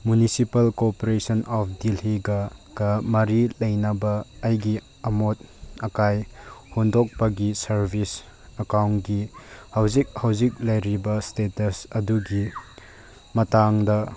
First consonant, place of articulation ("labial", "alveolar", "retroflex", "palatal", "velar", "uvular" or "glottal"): labial